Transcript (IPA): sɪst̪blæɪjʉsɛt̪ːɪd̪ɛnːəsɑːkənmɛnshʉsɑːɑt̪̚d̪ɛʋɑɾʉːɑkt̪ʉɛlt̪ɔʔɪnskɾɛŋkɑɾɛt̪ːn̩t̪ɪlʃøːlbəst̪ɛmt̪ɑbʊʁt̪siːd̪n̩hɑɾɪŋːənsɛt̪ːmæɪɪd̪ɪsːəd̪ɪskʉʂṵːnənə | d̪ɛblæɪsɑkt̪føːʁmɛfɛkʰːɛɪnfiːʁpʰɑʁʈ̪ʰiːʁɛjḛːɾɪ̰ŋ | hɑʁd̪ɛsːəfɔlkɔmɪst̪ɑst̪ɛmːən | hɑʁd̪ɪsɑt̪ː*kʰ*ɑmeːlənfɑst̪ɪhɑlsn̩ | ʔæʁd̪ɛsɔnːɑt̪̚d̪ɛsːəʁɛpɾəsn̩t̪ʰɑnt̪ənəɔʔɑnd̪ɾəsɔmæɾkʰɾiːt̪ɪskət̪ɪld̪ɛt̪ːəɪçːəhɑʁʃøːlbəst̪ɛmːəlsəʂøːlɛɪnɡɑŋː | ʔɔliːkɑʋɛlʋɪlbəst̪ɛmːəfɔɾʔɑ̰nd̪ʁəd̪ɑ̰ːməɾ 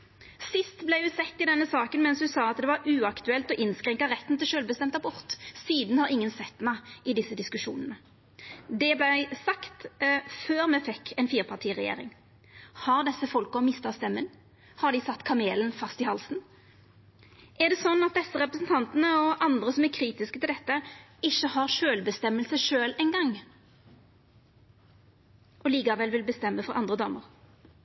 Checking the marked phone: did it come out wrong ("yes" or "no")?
no